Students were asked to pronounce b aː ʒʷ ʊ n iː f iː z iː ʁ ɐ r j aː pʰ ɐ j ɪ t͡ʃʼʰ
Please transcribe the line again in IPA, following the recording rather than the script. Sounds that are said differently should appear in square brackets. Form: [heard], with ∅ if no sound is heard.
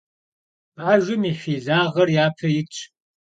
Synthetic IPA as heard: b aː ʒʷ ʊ [m] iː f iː z [aː] ʁ ɐ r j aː pʰ ɐ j ɪ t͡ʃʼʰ